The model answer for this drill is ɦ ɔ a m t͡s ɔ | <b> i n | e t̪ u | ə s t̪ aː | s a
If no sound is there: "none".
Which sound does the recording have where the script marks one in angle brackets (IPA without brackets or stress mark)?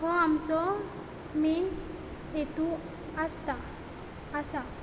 m